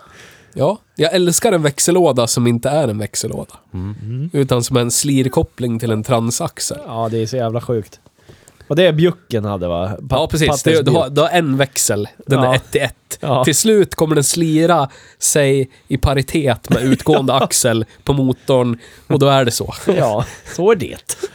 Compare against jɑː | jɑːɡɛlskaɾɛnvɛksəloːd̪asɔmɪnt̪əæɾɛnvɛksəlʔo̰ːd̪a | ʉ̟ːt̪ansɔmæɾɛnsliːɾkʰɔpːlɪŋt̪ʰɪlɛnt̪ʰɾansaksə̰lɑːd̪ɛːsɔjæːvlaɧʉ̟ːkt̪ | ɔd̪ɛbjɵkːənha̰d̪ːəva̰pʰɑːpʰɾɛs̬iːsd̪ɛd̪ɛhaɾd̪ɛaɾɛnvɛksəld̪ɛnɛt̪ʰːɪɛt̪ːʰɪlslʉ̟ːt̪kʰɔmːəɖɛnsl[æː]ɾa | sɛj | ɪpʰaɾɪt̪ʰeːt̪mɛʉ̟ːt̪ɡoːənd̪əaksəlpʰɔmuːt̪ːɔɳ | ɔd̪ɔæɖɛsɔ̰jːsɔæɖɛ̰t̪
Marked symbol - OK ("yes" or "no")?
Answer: no